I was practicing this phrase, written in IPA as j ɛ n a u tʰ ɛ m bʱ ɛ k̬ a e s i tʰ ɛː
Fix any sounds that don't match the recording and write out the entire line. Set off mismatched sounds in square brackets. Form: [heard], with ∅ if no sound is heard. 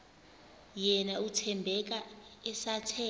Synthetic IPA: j ɛ n a u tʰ ɛ m bʱ ɛ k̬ a [ɛ] s [a] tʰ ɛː